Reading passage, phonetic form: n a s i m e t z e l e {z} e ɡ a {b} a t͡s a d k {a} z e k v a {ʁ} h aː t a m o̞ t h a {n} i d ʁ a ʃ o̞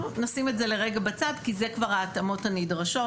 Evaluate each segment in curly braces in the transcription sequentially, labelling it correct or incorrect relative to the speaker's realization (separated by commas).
incorrect, correct, incorrect, correct, correct